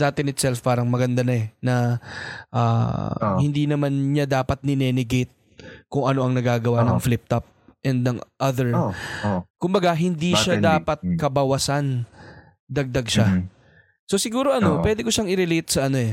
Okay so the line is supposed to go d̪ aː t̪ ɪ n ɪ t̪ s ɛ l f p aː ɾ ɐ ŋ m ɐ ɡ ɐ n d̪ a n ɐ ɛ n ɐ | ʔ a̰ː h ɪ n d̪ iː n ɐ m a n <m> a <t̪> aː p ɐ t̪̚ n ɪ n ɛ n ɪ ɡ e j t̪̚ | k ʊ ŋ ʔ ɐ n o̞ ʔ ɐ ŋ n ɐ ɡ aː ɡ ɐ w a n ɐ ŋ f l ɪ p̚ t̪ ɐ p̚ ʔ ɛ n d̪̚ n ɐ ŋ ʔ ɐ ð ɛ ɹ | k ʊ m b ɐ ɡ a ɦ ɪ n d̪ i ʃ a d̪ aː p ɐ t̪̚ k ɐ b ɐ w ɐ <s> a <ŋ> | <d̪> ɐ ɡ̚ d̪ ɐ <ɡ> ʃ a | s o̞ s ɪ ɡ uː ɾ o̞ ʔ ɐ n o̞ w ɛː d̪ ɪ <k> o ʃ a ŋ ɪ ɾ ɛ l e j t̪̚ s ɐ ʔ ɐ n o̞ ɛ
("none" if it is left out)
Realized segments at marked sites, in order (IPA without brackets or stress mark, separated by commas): ɲ, d̪, s, n, d̪, ɡ, k